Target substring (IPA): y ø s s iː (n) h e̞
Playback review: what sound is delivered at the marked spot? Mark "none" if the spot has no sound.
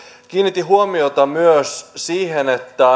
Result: none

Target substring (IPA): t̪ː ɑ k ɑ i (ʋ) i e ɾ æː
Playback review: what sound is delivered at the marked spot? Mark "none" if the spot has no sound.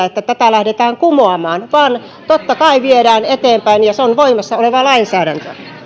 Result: ʋ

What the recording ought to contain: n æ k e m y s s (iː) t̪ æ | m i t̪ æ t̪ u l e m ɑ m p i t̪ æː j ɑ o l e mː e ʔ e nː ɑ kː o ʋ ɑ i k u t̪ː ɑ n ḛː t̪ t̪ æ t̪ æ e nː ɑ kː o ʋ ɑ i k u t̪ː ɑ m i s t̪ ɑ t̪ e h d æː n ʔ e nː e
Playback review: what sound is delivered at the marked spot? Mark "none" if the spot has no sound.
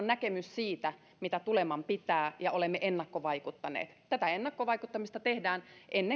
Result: iː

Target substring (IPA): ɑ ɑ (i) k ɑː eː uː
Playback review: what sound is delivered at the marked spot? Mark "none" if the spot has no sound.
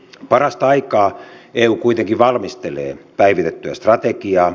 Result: i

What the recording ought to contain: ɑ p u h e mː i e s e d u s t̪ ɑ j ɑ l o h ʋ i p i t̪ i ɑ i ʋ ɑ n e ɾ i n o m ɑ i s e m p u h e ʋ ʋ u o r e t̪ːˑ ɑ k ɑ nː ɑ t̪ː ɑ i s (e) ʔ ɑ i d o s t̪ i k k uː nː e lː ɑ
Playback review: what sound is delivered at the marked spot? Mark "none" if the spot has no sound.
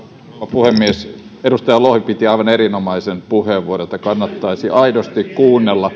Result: i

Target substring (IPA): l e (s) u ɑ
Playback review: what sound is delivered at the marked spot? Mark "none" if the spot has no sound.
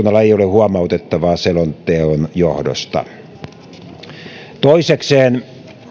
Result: h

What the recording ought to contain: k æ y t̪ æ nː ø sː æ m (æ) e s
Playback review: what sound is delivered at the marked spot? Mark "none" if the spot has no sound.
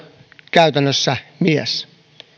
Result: i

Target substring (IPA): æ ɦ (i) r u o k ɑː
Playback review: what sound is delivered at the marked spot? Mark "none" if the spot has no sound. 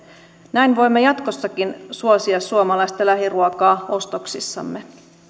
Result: i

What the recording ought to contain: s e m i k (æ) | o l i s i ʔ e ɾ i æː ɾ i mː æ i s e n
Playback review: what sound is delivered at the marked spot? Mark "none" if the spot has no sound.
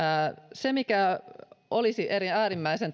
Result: æ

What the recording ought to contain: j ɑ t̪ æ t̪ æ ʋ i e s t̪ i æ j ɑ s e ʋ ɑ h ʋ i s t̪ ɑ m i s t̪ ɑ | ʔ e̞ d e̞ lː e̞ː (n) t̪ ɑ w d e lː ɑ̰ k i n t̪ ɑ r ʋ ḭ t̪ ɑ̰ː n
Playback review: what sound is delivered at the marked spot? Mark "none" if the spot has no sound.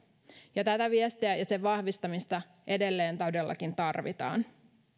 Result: n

